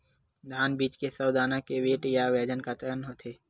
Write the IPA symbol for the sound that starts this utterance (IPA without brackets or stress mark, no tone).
d̪ʱ